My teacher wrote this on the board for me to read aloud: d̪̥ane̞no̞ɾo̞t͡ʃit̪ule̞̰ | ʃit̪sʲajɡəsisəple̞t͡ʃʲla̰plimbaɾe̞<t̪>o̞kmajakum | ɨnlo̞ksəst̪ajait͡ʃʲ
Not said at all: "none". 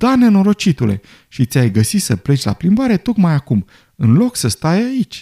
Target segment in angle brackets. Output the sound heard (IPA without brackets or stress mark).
t̪